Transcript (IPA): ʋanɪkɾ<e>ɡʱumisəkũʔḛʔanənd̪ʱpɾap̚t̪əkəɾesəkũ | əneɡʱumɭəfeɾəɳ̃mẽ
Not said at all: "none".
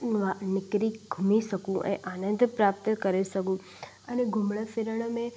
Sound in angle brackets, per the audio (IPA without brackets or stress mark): i